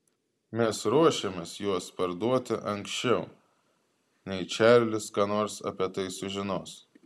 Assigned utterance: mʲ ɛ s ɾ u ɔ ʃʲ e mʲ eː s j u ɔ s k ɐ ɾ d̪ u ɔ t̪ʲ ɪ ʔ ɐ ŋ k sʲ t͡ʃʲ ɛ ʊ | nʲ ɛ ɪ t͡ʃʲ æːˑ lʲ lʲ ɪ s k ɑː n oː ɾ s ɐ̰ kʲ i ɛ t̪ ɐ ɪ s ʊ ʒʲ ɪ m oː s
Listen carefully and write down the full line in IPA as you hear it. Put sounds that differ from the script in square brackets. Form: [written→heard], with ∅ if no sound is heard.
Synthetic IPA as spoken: mʲ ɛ s ɾ u ɔ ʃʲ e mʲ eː s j u ɔ s [k→p] ɐ ɾ d̪ u ɔ t̪ʲ ɪ ʔ ɐ ŋ k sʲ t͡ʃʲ ɛ ʊ | nʲ ɛ ɪ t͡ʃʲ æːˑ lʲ lʲ ɪ s k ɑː n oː ɾ s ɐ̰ [kʲ→pʲ] i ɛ t̪ ɐ ɪ s ʊ ʒʲ ɪ [m→n] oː s